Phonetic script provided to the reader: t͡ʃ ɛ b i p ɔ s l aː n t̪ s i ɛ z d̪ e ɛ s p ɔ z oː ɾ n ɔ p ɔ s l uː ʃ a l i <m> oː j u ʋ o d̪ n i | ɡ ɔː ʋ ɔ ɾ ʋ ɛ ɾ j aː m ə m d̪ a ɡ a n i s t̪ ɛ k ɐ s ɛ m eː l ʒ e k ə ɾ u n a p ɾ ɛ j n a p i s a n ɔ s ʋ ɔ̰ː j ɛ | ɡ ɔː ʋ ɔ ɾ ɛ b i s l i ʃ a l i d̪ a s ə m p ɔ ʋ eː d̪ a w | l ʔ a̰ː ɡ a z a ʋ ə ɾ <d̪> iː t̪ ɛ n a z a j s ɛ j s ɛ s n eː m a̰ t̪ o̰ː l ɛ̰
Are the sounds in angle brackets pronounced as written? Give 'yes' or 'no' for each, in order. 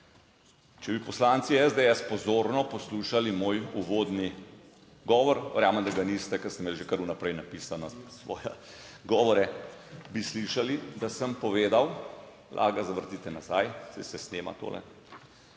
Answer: yes, no

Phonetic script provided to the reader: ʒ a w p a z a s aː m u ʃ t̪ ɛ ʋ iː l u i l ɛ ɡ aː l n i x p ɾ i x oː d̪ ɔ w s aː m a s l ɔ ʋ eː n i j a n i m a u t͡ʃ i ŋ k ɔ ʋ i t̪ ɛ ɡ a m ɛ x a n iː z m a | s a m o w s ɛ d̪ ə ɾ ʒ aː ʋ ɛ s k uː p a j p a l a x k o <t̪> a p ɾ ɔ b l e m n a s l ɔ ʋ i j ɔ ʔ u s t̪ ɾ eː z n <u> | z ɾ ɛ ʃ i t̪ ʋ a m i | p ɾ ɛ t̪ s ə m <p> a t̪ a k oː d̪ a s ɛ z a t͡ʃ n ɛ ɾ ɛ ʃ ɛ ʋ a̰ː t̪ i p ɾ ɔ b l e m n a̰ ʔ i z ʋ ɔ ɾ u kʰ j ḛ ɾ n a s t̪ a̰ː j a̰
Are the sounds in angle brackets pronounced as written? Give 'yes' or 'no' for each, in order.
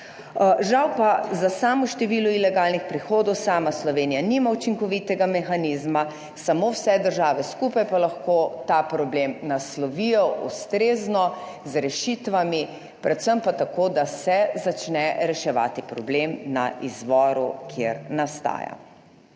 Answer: yes, no, yes

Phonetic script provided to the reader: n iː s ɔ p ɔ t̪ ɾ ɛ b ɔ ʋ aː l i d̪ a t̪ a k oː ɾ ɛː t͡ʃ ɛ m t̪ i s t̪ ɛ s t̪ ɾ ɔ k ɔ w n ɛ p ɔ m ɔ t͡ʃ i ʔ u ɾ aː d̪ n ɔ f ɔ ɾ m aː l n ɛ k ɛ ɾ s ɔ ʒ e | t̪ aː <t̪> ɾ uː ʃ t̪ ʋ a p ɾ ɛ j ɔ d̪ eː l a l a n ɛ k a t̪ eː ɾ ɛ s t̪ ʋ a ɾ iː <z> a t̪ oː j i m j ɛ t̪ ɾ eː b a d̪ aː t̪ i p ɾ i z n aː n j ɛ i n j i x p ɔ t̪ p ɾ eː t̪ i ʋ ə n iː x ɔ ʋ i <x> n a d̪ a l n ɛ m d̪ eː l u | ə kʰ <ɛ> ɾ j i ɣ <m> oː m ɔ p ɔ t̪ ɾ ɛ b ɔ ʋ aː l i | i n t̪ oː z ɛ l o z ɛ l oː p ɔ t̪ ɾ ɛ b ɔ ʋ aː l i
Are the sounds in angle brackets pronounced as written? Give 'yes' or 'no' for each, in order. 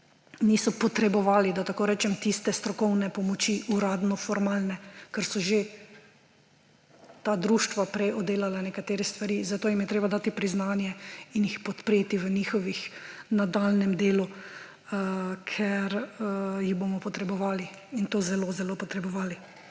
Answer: no, yes, yes, yes, no

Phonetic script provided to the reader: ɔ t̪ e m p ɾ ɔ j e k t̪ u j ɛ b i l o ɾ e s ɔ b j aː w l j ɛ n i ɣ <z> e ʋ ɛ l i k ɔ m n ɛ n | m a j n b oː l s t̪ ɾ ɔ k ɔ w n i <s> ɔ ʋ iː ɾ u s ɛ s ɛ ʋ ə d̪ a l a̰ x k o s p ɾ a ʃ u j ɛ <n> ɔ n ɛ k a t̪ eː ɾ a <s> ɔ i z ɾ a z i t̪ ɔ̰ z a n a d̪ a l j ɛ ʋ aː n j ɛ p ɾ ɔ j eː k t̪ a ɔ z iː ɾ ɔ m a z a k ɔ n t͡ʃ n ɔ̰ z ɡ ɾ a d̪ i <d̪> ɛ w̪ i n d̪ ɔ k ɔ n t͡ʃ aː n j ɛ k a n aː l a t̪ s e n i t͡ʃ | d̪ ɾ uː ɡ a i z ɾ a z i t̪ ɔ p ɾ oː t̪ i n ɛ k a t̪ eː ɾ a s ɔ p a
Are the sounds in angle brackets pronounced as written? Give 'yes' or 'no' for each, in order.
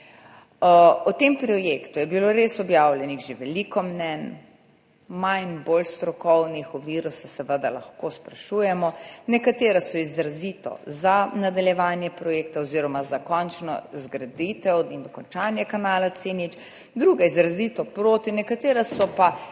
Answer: no, no, no, yes, no

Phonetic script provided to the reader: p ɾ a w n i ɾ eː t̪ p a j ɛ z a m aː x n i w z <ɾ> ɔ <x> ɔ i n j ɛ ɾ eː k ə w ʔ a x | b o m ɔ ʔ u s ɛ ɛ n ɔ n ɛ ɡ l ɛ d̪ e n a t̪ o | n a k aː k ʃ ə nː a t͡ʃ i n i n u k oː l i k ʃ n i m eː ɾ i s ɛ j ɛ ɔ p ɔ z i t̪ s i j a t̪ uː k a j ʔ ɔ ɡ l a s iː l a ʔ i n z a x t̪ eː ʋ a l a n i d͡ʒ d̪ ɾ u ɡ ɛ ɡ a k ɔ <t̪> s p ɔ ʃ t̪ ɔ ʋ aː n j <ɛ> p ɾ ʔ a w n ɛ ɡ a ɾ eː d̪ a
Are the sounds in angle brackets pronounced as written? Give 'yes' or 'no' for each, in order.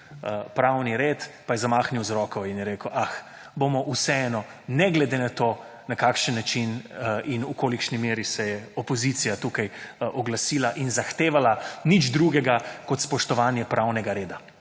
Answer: yes, no, yes, yes

